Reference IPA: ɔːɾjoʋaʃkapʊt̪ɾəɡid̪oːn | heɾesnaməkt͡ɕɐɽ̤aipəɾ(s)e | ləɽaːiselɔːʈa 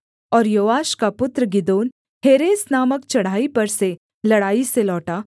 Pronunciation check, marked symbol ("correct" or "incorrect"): correct